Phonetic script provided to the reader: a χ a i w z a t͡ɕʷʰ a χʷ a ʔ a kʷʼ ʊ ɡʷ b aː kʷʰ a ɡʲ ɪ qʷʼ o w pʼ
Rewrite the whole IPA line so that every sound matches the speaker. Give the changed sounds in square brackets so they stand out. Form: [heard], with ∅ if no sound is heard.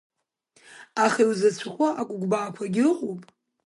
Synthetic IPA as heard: a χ a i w z a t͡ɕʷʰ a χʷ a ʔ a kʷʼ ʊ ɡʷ b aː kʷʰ a ɡʲ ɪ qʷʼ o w pʼ